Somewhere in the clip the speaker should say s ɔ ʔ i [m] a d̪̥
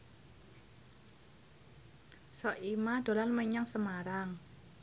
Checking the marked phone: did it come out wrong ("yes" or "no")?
no